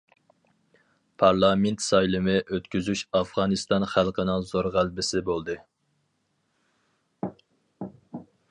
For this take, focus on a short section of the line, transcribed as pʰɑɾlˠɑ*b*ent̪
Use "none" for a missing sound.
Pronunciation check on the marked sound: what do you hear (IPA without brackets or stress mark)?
m